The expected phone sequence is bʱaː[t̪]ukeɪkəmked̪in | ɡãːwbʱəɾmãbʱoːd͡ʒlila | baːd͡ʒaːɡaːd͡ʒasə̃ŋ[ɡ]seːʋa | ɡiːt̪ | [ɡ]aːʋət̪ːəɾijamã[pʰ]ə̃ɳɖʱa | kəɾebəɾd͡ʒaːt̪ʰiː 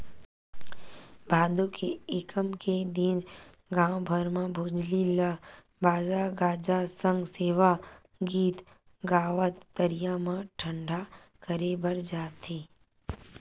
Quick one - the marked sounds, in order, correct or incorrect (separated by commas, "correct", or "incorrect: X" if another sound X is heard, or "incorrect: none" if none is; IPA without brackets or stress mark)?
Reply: incorrect: d̪, correct, correct, incorrect: ʈʰ